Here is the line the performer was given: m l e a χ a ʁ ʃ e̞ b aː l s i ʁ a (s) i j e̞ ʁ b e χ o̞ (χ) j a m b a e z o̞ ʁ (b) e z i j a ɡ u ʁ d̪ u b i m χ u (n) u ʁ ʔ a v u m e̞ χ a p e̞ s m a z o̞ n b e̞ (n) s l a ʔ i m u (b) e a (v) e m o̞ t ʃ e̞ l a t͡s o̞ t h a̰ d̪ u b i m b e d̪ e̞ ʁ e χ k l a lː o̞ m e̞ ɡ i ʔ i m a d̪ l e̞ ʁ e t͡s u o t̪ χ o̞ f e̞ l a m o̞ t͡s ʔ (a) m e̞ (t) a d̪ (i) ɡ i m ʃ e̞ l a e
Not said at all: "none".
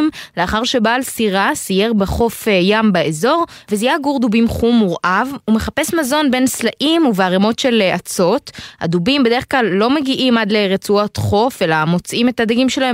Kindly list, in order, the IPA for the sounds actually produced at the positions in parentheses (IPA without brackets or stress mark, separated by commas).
s, f, v, m, n, v, ʁ, i, t, a